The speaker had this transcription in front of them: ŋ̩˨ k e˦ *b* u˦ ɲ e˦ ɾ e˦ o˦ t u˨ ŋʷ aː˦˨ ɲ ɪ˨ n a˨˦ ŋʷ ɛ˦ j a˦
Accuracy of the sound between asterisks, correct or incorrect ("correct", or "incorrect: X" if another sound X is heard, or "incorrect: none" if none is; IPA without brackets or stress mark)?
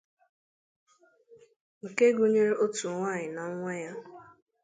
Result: incorrect: ɡ